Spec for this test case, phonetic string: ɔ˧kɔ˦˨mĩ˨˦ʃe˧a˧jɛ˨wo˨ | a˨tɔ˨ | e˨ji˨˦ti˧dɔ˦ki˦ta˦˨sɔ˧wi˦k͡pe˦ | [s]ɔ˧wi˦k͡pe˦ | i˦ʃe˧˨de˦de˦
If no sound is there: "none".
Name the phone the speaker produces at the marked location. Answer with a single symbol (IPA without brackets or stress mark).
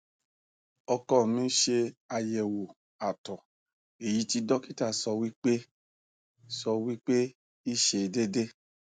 s